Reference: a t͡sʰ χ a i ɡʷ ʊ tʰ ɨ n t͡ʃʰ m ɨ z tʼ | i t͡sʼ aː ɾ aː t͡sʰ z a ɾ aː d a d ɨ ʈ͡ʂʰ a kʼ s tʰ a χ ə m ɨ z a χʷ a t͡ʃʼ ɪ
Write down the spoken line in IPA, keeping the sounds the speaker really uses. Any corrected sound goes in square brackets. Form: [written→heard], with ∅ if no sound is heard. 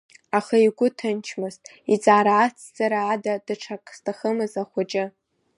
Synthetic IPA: a [t͡sʰ→∅] χ a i ɡʷ ʊ tʰ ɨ n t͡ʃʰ m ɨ z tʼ | i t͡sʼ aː ɾ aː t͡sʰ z a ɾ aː d a d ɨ ʈ͡ʂʰ a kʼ s tʰ a χ ə m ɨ z a χʷ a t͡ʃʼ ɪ